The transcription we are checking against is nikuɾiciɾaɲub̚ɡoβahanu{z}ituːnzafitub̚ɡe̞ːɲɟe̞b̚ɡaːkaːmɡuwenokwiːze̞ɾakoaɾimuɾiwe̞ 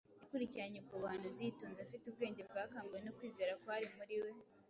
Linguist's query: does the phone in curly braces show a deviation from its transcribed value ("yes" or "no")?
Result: no